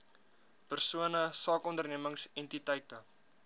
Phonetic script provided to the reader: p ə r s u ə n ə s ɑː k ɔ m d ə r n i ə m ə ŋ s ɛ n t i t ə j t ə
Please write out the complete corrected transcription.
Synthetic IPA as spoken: p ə r s u ə n ə s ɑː k ɔ n d ə r n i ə m ə ŋ s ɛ n t i t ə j t ə